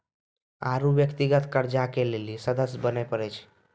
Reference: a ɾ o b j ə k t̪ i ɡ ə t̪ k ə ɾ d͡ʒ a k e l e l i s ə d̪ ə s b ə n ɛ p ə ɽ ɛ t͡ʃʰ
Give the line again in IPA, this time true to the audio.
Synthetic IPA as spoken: a ɾ u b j ə k t̪ i ɡ ə t̪ k ə ɾ d͡ʒ a k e l e l i s ə d̪ ə s b ə n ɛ p ə ɾ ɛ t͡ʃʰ